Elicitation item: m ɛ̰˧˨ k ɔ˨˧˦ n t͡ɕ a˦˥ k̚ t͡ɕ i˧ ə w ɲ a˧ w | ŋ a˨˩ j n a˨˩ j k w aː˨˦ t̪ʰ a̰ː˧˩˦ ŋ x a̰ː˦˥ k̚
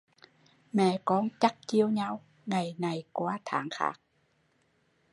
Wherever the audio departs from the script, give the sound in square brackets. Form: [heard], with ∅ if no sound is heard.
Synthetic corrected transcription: m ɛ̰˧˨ k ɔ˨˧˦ n t͡ɕ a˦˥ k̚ t͡ɕ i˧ ə w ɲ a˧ w | ŋ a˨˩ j n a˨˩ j k w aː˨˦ t̪ʰ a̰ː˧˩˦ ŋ x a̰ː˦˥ k̚